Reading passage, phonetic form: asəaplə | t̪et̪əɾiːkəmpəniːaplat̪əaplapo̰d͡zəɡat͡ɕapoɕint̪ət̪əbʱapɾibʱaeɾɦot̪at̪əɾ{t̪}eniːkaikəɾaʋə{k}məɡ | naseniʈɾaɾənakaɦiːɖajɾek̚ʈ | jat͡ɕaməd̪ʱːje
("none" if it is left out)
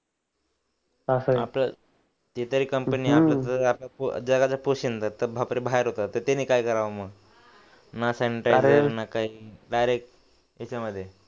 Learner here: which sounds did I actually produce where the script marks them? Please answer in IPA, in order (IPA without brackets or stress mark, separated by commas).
t̪, none